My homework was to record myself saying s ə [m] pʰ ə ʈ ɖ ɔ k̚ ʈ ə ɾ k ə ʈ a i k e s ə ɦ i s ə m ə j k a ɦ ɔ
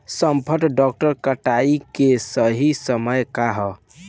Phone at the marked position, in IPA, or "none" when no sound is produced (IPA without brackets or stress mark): m